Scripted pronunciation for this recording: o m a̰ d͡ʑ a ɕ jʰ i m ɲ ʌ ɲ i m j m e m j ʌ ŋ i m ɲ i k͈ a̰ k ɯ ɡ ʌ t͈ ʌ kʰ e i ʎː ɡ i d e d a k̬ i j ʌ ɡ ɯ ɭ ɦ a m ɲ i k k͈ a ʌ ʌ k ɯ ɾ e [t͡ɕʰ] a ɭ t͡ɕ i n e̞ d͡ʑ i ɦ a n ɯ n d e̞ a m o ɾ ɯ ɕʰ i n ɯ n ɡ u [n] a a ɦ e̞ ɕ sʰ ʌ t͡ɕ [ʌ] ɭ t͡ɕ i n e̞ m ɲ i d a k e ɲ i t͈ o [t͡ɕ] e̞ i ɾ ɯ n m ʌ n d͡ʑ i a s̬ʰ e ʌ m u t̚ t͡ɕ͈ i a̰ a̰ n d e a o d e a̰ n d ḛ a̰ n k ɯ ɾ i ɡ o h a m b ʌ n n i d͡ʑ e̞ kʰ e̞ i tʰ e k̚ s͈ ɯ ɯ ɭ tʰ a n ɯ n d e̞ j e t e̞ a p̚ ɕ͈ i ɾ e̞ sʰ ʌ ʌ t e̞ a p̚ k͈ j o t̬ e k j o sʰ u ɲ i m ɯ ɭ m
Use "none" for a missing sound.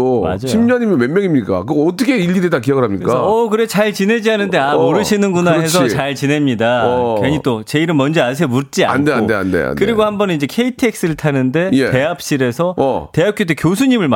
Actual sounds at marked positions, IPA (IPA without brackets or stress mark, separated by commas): t͡ɕ, n, a, t͡ɕ